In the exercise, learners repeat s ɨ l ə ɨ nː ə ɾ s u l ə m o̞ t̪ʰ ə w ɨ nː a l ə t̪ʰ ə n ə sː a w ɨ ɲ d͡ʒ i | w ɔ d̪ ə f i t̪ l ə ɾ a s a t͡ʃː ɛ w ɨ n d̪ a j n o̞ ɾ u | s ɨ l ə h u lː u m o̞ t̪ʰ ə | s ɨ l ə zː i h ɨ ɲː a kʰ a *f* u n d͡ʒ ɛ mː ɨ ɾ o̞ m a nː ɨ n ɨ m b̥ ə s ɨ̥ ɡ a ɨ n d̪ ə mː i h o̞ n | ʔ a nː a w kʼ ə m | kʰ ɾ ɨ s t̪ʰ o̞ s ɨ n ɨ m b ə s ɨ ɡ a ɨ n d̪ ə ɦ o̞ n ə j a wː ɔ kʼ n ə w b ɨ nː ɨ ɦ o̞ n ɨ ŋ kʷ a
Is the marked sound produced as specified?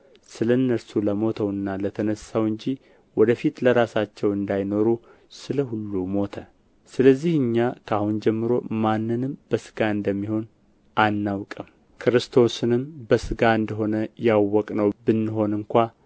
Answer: no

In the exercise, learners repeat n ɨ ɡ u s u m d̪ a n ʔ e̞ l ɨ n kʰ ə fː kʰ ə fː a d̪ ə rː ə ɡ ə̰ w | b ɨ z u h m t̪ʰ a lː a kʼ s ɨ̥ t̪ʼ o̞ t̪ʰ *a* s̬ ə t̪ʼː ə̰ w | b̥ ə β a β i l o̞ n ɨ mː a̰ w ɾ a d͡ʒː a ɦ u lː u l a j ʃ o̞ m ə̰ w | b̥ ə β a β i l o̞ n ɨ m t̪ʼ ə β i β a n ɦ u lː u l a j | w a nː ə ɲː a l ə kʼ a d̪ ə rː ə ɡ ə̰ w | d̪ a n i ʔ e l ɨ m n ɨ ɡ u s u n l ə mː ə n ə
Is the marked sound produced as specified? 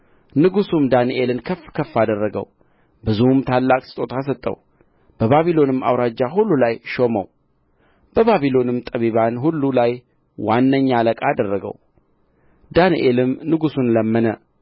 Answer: yes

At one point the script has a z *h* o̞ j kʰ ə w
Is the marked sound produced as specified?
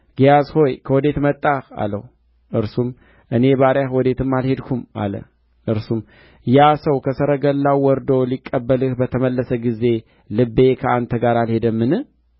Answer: yes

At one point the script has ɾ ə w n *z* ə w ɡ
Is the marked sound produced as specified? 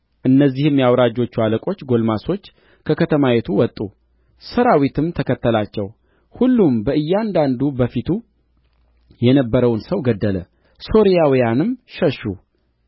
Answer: no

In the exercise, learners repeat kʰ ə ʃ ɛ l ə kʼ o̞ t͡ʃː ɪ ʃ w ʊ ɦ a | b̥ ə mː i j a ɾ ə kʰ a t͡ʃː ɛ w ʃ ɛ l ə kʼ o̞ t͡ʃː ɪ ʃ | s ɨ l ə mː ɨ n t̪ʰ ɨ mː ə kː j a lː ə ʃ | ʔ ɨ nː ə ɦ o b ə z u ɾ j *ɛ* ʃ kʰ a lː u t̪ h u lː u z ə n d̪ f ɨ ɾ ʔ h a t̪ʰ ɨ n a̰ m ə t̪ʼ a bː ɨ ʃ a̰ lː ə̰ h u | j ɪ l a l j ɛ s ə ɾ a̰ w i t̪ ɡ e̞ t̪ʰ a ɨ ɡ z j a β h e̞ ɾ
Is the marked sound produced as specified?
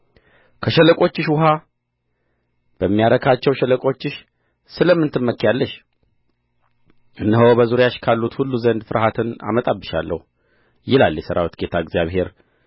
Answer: no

